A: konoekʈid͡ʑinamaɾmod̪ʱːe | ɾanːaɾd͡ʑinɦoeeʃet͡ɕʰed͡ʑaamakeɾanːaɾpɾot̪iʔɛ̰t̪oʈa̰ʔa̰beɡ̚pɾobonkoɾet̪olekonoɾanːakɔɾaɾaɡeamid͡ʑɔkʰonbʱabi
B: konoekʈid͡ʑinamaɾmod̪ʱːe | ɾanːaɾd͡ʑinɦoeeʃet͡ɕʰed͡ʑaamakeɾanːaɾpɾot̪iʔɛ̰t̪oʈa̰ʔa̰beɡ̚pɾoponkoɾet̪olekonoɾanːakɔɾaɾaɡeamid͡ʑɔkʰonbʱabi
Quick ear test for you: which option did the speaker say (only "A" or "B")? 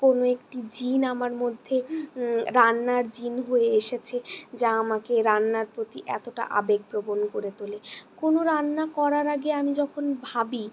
A